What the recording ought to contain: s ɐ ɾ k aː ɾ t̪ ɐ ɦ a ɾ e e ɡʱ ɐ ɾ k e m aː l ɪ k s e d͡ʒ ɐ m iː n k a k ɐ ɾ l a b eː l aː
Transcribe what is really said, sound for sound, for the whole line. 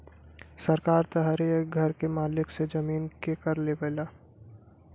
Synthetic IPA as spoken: s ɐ ɾ k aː ɾ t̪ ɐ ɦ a ɾ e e ɡʱ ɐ ɾ k e m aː l ɪ k s e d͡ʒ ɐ m iː n k e k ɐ ɾ l e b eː l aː